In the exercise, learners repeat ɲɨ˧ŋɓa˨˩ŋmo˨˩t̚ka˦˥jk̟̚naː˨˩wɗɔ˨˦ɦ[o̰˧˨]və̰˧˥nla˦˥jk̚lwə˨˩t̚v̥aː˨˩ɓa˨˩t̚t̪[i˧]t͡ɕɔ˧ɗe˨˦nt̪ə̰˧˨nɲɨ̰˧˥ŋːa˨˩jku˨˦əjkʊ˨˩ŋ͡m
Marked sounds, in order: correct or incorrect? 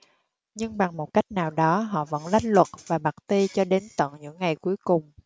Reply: incorrect: ɔ̰˧˨, correct

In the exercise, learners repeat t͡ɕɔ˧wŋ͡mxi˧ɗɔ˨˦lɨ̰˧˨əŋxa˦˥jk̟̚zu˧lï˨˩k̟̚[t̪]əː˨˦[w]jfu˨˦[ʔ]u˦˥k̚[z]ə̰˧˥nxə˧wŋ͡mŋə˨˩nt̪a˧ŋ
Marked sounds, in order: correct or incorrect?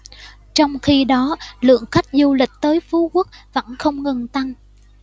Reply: correct, incorrect: none, incorrect: k, incorrect: v

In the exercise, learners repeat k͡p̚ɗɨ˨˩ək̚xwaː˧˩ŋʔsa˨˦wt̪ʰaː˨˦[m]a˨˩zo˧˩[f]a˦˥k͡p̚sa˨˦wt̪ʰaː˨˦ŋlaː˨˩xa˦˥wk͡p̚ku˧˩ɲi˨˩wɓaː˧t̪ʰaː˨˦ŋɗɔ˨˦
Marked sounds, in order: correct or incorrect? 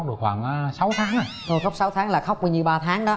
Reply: incorrect: ŋ, incorrect: x

